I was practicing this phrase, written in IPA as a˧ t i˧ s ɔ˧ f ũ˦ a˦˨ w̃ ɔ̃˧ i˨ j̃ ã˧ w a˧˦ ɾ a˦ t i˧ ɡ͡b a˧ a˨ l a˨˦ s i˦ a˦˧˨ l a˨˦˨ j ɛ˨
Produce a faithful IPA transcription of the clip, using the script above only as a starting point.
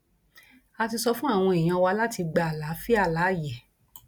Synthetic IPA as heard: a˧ t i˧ s ɔ˧ f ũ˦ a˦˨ w̃ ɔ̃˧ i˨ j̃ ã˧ w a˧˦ l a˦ t i˧ ɡ͡b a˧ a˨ l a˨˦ f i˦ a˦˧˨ l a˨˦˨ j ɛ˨